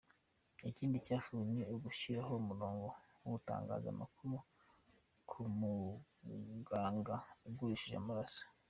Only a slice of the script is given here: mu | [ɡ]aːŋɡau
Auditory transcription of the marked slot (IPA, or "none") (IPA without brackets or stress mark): ɡ